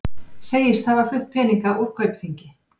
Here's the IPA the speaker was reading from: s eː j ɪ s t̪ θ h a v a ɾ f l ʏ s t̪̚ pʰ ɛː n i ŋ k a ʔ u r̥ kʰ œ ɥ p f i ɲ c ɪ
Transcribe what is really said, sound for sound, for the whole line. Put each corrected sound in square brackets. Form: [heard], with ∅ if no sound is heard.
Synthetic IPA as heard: s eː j ɪ s t̪ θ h a v a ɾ f l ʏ [h] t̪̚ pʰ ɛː n i ŋ k a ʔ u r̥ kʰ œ ɥ p [θ] i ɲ c ɪ